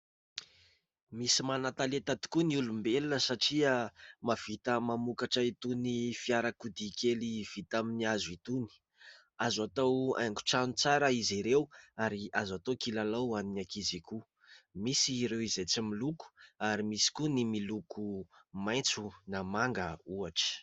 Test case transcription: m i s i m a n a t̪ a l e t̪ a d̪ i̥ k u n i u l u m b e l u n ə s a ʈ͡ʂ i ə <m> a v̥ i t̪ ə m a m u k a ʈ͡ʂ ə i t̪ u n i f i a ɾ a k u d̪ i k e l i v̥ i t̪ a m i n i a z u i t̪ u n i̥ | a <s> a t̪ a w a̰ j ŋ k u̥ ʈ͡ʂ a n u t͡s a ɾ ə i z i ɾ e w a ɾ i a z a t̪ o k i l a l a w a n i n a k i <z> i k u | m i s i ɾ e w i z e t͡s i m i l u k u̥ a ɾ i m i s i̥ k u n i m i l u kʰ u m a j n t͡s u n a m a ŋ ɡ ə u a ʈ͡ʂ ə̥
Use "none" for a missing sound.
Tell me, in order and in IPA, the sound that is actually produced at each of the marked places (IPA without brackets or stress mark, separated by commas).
m, z, z